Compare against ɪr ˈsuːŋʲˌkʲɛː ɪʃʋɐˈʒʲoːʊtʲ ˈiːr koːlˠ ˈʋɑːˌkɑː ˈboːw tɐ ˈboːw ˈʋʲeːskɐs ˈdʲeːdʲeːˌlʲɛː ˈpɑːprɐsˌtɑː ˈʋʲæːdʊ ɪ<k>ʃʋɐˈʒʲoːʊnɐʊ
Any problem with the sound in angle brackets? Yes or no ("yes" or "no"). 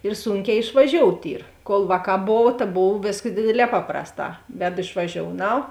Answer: yes